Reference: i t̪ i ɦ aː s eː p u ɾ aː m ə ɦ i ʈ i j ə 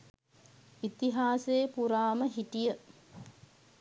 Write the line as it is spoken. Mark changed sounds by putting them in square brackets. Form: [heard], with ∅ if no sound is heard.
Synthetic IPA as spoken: i t̪ i ɦ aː s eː p u ɾ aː m ə ɦ i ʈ i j ə

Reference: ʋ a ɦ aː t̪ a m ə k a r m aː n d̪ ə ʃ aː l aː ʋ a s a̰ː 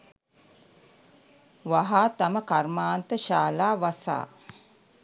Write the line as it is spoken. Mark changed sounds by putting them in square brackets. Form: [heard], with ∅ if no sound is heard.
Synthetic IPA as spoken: ʋ a ɦ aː t̪ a m ə k a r m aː n [t̪] ə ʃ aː l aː ʋ a s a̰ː

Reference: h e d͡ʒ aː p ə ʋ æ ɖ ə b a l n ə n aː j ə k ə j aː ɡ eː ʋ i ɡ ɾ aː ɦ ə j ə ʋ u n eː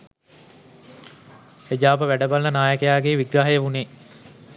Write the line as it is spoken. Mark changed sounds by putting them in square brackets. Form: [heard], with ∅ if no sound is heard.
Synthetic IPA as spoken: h e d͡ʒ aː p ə ʋ æ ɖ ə b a l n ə n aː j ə k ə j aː ɡ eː ʋ i ɡ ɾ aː ɦ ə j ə ʋ u n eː

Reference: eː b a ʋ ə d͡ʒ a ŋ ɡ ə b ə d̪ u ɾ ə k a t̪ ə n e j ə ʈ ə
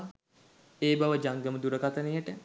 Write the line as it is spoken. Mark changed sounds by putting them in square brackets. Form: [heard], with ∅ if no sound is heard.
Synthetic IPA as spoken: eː b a ʋ ə d͡ʒ a ŋ ɡ ə [m] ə d̪ u ɾ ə k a t̪ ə n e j ə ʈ ə

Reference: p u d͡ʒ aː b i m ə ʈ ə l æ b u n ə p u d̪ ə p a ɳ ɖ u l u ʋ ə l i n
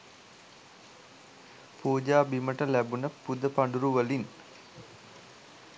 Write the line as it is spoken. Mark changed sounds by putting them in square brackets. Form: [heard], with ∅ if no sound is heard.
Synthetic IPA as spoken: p [uː] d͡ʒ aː b i m ə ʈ ə l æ b u n ə p u d̪ ə p a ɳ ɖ u [ɾ] u ʋ ə l i n

